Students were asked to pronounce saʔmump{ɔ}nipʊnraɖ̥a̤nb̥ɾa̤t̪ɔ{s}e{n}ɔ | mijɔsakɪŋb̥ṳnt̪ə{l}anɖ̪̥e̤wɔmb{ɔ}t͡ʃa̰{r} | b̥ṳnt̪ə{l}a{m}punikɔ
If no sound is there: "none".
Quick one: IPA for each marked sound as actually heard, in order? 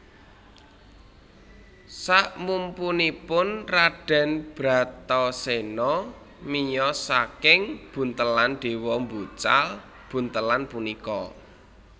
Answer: u, s, n, l, u, l, l, n

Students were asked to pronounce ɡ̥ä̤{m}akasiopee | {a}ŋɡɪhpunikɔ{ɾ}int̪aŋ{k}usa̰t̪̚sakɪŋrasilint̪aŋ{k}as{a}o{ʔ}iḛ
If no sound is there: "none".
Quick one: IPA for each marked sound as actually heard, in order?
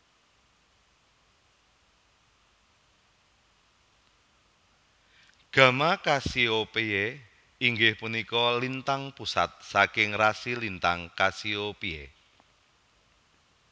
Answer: m, i, l, p, k, i, p

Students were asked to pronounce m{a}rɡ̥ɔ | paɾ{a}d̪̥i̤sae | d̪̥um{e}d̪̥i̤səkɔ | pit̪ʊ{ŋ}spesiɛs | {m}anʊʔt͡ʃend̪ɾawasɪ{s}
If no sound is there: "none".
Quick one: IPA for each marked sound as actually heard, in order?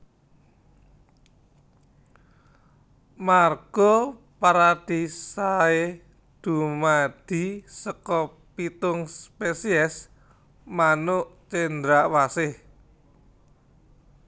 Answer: a, a, a, ŋ, m, h

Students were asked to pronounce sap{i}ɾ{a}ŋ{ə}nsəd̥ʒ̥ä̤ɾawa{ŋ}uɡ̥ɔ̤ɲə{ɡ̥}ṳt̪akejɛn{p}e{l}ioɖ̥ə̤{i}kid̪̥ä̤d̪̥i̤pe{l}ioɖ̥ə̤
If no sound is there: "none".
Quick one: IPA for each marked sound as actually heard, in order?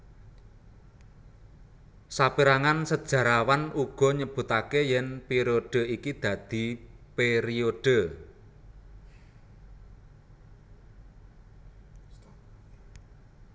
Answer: i, a, a, n, b̥, p, ɾ, i, ɾ

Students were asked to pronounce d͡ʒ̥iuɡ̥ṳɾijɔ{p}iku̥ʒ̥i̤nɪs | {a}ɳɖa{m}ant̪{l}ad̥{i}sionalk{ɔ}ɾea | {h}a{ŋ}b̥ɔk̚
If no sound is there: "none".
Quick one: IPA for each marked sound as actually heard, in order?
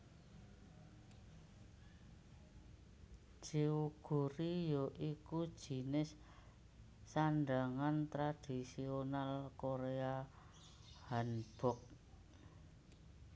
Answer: ʔ, a, ŋ, ɾ, i, o, h, n

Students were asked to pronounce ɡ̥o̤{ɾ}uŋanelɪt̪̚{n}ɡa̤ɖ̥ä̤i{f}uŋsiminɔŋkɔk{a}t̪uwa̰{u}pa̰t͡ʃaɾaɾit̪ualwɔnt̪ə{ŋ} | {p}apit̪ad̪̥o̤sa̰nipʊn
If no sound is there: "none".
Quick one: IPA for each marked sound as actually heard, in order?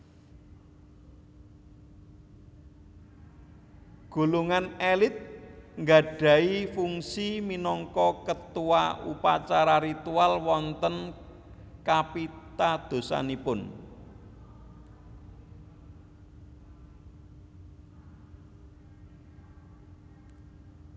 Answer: l, ŋ, f, ə, u, n, k

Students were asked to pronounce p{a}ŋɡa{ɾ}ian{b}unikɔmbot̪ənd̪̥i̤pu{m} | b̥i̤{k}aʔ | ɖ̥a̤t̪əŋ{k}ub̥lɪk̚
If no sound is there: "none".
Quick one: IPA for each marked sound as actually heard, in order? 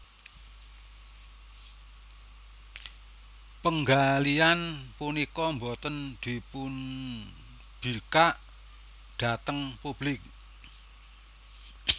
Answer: ə, l, p, n, k, p

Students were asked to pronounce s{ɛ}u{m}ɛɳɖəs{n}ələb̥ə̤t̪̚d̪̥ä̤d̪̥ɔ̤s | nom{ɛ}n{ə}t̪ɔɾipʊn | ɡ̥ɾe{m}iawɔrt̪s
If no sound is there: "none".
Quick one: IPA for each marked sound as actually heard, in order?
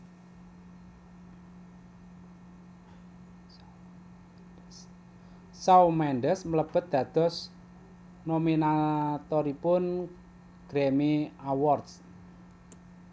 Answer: a, m, m, i, a, m

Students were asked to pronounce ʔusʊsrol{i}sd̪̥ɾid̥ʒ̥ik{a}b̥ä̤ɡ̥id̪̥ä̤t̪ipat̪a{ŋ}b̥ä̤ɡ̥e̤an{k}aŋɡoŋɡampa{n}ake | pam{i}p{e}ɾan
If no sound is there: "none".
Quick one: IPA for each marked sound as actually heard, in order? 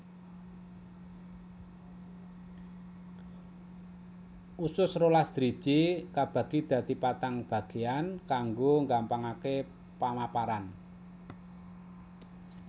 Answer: a, a, ŋ, k, ŋ, a, a

